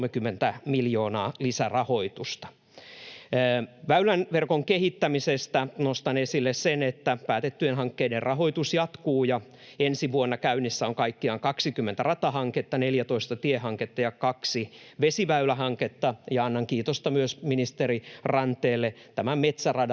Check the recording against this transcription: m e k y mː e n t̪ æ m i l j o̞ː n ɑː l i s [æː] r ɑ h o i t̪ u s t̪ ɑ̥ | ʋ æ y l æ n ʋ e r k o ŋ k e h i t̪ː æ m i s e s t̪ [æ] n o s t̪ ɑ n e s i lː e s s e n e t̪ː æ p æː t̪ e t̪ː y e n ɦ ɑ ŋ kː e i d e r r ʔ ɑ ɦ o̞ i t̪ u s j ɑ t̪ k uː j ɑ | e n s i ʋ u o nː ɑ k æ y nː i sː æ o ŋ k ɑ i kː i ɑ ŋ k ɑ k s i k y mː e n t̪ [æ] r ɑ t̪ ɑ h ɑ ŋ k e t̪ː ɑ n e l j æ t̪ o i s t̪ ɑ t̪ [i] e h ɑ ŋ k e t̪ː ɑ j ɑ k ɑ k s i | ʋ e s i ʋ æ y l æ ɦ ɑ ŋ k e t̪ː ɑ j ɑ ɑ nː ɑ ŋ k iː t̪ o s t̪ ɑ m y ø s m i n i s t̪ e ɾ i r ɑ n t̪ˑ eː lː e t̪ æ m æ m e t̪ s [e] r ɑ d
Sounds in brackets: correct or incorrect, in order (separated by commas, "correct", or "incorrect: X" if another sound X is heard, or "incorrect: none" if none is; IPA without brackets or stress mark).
incorrect: æ, correct, correct, correct, incorrect: æ